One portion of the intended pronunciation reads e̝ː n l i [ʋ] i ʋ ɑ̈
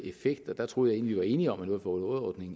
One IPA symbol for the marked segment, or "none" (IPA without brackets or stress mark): ʋ